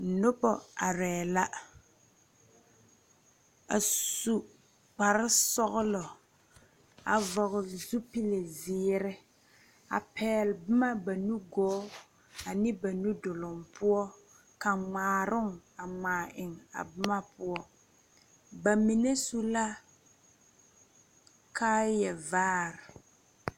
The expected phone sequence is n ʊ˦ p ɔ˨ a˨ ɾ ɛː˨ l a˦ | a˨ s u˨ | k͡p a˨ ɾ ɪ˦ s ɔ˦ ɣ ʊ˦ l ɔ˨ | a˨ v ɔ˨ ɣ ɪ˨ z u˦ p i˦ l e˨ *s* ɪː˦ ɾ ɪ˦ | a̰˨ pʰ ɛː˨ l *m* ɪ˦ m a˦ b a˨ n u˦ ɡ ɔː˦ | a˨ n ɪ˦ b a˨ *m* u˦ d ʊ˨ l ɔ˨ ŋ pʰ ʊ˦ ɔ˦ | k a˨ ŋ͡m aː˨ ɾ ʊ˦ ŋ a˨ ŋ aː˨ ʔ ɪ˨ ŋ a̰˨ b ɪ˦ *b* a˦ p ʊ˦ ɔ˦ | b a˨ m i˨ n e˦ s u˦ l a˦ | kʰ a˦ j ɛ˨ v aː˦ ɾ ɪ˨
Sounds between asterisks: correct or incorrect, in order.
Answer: incorrect, incorrect, incorrect, incorrect

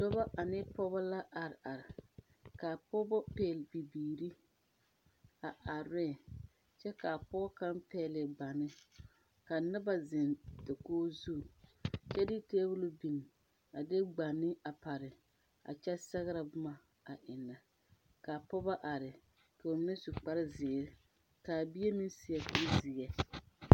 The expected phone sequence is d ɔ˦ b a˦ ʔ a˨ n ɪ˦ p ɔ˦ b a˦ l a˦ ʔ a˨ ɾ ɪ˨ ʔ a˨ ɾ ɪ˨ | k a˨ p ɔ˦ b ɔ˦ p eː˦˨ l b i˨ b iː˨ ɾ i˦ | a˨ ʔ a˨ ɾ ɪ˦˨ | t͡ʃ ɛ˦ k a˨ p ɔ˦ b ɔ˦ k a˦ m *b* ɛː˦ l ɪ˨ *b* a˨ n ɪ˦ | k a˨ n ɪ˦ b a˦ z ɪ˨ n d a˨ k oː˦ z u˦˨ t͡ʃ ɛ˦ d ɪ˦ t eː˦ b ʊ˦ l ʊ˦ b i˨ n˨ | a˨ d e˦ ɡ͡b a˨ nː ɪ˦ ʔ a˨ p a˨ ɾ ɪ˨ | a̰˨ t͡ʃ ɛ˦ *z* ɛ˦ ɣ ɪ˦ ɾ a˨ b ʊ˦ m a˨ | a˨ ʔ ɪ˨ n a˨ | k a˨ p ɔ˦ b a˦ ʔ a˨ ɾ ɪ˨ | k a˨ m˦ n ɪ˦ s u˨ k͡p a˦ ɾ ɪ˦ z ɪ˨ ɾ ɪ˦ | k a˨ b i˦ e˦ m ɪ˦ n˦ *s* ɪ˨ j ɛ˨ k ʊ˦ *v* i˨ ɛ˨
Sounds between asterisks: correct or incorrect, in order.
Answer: incorrect, incorrect, incorrect, correct, incorrect

